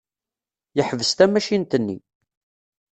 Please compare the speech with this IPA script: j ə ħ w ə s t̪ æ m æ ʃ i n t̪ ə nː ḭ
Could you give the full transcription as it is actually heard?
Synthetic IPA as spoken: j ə ħ v ə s t̪ æ m æ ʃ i n t̪ ə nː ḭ